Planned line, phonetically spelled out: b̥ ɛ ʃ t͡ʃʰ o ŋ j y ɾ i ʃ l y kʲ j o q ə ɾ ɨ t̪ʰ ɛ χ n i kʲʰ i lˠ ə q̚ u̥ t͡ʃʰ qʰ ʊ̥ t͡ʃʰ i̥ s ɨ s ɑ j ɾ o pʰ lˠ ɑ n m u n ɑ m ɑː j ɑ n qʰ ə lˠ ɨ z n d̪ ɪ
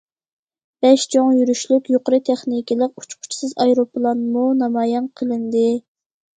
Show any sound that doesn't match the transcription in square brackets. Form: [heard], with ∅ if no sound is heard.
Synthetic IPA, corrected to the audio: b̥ ɛ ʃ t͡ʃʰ o ŋ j y ɾ [y] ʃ l y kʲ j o q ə ɾ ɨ t̪ʰ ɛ χ n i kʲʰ i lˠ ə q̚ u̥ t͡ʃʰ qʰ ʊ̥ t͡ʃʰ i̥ s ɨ [z] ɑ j ɾ o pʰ lˠ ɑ n m u n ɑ m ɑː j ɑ n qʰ ə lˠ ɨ [∅] n d̪ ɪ